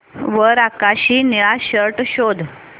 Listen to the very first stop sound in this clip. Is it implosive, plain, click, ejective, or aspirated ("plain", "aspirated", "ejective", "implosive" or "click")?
plain